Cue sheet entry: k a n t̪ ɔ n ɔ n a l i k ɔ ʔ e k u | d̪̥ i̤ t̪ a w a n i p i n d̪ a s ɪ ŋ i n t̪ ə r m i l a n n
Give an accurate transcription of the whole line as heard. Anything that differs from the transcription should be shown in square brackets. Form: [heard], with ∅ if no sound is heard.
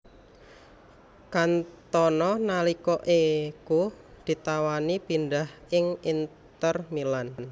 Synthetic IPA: k a n t̪ ɔ n ɔ n a l i k ɔ ʔ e k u | d̪̥ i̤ t̪ a w a n i p i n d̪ a [h] ɪ ŋ i n t̪ ə r m i l a n n